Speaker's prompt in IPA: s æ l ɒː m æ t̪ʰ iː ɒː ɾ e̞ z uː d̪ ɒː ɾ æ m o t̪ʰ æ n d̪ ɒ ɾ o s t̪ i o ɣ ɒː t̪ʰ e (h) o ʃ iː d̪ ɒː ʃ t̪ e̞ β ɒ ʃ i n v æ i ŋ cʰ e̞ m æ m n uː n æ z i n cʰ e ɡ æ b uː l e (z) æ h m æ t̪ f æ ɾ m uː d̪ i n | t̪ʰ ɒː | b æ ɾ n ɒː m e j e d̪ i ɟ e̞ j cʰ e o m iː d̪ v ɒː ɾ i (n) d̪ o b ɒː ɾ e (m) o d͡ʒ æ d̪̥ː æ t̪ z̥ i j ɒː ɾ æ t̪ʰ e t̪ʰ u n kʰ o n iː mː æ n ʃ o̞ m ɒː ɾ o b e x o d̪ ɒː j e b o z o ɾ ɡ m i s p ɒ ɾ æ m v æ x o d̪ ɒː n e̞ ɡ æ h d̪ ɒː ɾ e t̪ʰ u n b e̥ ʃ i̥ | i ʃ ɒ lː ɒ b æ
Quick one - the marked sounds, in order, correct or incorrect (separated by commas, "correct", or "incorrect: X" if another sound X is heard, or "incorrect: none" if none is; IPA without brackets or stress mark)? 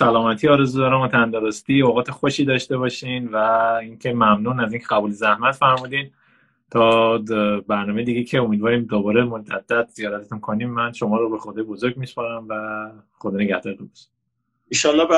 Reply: incorrect: x, correct, incorrect: m, correct